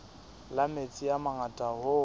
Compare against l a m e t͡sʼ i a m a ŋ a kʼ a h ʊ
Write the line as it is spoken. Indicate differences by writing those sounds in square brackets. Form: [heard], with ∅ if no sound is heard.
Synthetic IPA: l a m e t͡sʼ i a m a ŋ a [tʼ] a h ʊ